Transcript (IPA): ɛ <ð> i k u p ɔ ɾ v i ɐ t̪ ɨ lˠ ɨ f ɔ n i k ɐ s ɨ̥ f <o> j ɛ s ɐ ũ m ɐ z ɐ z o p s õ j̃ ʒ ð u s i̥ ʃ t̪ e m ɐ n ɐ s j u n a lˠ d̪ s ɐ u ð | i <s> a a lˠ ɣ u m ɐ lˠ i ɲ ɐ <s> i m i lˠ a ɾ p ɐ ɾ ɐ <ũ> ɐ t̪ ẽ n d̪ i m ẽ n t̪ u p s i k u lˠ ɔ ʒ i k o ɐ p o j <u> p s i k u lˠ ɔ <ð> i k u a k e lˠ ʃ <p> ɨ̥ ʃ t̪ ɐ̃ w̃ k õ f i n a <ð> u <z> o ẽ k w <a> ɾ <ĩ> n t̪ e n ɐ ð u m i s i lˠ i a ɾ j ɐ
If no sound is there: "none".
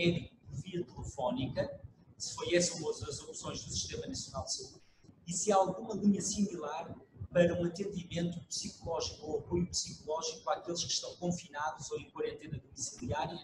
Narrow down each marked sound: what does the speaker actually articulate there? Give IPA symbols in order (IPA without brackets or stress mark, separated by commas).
ð, o, s, s, ũ, u, ʒ, k, ð, z, ɐ, ẽ